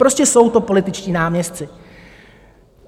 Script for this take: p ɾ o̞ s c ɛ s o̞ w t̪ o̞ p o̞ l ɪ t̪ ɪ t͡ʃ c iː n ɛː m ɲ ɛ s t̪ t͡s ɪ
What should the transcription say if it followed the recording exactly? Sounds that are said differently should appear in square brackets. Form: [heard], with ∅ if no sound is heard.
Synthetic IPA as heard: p ɾ o̞ s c ɛ s o̞ w t̪ o̞ p o̞ l ɪ t̪ ɪ t͡ʃ c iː n [aː] m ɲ ɛ s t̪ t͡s ɪ